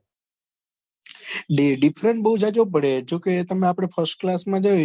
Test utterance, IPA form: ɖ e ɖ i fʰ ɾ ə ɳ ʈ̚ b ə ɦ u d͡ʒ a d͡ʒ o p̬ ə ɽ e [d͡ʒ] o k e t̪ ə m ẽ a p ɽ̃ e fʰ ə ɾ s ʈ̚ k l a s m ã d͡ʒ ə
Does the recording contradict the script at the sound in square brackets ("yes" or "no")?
no